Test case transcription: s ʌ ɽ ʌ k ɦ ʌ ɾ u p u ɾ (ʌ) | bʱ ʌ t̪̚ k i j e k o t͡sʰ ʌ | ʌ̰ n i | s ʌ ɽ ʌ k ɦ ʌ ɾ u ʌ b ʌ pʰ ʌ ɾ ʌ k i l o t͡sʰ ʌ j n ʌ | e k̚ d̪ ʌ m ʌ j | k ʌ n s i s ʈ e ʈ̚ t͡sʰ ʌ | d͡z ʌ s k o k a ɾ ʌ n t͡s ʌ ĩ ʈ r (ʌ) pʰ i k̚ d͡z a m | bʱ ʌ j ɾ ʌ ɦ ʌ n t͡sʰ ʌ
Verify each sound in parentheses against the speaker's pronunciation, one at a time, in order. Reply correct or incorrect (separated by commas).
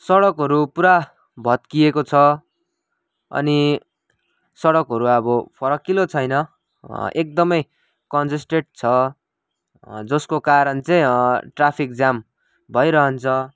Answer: incorrect, incorrect